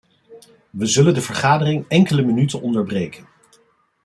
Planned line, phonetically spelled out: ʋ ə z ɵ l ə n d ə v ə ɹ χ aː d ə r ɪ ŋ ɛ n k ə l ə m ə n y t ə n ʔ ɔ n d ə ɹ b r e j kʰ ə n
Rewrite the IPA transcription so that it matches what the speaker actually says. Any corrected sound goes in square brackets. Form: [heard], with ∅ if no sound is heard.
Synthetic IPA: ʋ ə z ɵ l ə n d ə v ə ɹ χ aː d ə r ɪ ŋ ɛ [ŋ] k ə l ə m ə n y t ə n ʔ ɔ n d ə ɹ b r e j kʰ ə n

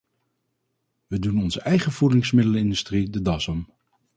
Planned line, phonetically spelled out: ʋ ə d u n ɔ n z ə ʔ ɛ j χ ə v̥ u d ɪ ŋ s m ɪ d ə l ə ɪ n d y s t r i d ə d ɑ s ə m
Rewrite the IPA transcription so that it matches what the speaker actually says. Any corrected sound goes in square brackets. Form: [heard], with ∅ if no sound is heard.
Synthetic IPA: ʋ ə d u n ɔ n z ə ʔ ɛ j χ ə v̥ u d ɪ ŋ s m ɪ d ə l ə ɪ n d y s t r i d ə d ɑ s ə m

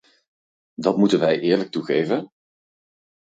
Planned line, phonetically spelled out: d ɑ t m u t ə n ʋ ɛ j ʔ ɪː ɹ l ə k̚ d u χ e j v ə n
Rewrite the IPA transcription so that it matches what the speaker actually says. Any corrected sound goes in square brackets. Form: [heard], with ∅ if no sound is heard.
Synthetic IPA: d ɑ t m u t ə n ʋ ɛ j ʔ ɪː ɹ l ə k̚ [t] u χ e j v ə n

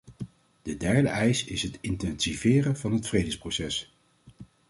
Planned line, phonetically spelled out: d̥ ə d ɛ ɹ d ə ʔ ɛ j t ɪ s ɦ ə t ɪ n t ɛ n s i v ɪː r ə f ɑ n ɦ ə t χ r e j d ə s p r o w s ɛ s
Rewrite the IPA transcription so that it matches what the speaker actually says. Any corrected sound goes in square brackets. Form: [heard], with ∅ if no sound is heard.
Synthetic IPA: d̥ ə d ɛ ɹ d ə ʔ ɛ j [s] ɪ s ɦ ə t ɪ n t ɛ n s i v ɪː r ə [v] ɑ n ɦ ə t [f] r e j d ə s p r o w s ɛ s

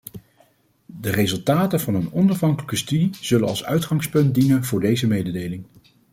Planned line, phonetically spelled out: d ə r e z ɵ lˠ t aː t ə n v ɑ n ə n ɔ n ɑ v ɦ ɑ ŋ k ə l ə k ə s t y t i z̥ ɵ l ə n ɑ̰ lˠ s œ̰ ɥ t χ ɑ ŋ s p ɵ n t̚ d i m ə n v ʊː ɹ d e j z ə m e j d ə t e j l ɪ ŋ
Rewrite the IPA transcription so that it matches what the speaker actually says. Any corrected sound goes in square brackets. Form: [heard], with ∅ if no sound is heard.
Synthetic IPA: d ə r e z ɵ lˠ t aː t ə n v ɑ n ə n ɔ n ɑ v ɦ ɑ ŋ k ə l ə k ə s t y [d] i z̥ ɵ l ə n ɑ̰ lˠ s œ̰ ɥ t χ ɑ ŋ s p ɵ n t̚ d i [n] ə n v ʊː ɹ d e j z ə m e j d ə [d] e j l ɪ ŋ

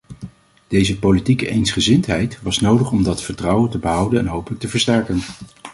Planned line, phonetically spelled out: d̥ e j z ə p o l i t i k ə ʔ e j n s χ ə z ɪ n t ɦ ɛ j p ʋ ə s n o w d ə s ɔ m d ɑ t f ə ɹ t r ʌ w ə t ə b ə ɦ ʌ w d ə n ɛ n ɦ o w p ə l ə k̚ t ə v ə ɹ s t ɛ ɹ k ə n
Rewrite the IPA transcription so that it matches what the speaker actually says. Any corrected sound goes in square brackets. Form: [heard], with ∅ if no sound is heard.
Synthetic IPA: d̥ e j z ə p o l i t i k ə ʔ e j n s χ ə z ɪ n t ɦ ɛ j [t] ʋ [ɑ] s n o w d ə [χ] ɔ m d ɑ t f ə ɹ t r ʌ w ə t ə b ə ɦ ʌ w d ə n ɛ n ɦ o w p ə l ə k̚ t ə v ə ɹ s t ɛ ɹ k ə n

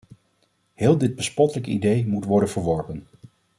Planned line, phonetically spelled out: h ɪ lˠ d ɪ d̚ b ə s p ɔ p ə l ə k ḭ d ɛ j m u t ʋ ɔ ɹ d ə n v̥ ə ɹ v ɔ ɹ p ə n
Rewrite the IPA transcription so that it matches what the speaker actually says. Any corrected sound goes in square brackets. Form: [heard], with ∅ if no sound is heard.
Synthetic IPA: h [ɪː] lˠ d ɪ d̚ b ə s p ɔ [t] ə l ə k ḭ d [e] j m u t ʋ ɔ ɹ d ə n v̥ ə ɹ [ʋ] ɔ ɹ p ə n

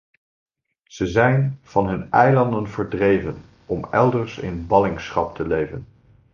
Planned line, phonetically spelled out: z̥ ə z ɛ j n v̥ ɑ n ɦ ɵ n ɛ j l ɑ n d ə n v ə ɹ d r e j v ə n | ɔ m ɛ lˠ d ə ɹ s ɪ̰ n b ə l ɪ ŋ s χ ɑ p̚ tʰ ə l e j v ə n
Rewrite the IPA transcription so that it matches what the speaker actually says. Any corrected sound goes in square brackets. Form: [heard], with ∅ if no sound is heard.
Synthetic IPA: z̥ ə z ɛ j n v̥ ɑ n ɦ ɵ n ɛ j l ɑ n d ə n v ə ɹ d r e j v ə n | ɔ m ɛ lˠ d ə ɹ s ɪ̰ n b [ɑ] l ɪ ŋ s χ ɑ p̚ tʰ ə l e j v ə n

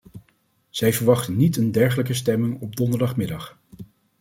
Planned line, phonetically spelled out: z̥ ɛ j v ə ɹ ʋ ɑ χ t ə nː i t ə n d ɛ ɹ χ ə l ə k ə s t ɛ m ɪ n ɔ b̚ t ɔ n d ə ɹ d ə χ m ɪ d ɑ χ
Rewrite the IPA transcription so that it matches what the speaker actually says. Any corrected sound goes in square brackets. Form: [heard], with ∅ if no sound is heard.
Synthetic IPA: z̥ ɛ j v ə ɹ ʋ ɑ χ t ə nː i t ə n d ɛ ɹ χ ə l ə k ə s t ɛ m ɪ [ŋ] ɔ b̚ [d] ɔ n d ə ɹ d [ɑ] χ m ɪ d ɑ χ

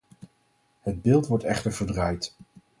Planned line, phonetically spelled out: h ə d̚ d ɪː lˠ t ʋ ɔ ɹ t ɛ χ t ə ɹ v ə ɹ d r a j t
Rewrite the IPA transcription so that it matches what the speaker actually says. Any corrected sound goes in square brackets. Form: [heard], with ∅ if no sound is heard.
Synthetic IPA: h ə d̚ [b] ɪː lˠ t ʋ ɔ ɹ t ɛ χ t ə ɹ v ə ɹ d r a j t

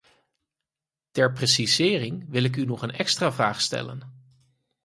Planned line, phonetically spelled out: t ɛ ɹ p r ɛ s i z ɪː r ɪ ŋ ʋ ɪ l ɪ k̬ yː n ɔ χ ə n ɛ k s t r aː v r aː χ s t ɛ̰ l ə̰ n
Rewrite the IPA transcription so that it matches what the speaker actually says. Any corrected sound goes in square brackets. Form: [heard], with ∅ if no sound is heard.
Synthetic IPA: t ɛ ɹ p r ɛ s i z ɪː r ɪ ŋ ʋ ɪ l ɪ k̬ [y] n ɔ χ ə n ɛ k s t r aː v r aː χ s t ɛ̰ l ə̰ n

